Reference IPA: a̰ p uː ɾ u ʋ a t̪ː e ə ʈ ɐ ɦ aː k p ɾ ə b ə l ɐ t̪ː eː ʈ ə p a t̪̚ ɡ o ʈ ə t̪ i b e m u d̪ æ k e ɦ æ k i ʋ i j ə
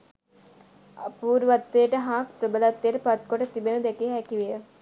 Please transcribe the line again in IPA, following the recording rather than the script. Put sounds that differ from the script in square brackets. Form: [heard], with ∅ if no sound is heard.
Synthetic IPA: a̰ p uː ɾ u ʋ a t̪ː e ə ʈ [ə] ɦ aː k p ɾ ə b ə l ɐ t̪ː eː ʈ ə p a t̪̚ [k] o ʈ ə t̪ i b e [n] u d̪ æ k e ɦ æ k i ʋ i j ə